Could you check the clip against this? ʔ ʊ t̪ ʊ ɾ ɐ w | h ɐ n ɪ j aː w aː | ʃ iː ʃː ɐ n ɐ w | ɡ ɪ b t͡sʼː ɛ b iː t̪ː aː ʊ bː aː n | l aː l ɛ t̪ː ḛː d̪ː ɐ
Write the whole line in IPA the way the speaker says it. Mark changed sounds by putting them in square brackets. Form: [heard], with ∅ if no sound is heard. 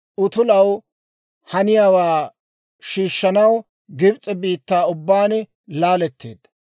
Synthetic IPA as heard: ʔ ʊ t̪ ʊ [l] ɐ w | h ɐ n ɪ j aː w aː | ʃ iː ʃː ɐ n ɐ w | ɡ ɪ b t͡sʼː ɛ b iː t̪ː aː ʊ bː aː n | l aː l ɛ t̪ː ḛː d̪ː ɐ